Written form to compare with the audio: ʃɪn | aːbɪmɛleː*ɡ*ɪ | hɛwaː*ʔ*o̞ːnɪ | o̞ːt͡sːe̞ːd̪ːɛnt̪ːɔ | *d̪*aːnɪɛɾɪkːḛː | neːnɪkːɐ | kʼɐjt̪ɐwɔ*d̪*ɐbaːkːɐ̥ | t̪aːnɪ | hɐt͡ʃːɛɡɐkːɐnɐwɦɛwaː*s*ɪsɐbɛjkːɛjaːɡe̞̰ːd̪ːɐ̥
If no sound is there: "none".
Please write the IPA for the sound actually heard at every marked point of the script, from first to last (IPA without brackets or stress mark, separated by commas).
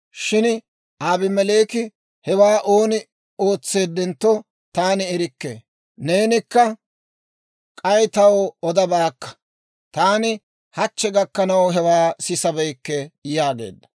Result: k, ʔ, t̪, d̪, s